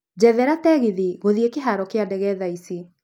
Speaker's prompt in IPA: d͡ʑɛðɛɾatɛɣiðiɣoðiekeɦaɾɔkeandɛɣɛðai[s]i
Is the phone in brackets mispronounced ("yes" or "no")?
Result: no